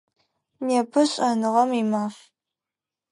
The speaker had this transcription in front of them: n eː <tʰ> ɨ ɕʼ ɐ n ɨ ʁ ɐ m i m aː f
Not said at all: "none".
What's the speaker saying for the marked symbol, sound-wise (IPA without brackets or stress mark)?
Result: pʰ